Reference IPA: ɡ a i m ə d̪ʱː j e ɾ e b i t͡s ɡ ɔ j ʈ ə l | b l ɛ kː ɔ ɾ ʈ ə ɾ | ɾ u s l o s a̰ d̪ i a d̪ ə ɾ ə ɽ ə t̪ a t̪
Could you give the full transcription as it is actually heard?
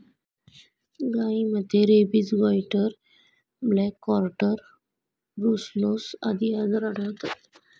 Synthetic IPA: ɡ a i m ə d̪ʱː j e ɾ e b i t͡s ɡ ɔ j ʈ ə ɾ | b l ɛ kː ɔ ɾ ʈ ə ɾ | ɾ u s l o s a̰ d̪ i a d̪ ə ɾ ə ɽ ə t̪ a t̪

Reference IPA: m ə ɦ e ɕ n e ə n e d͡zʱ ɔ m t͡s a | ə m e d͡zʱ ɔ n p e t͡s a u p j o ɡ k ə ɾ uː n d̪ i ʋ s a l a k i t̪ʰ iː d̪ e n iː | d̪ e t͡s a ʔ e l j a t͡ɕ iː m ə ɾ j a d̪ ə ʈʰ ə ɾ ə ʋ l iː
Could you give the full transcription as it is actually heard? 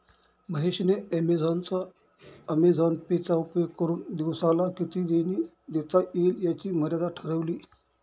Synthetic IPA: m ə ɦ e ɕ n e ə m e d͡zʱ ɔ n t͡s a | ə m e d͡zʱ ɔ n p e t͡s a u p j o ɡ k ə ɾ uː n d̪ i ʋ s a l a k i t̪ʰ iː d̪ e n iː | d̪ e t͡s a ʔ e l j a t͡ɕ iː m ə ɾ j a d̪ a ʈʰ ə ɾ ə ʋ l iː

